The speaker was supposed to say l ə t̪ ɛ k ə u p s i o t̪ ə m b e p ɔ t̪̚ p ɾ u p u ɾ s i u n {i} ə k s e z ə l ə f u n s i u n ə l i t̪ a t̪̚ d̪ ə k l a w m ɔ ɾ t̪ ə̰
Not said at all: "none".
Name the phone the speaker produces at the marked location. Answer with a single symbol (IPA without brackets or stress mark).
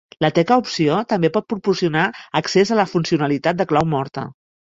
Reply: a